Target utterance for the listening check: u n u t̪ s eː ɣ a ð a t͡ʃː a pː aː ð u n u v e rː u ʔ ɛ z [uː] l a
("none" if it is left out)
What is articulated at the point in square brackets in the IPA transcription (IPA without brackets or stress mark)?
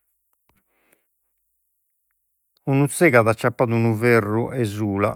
uː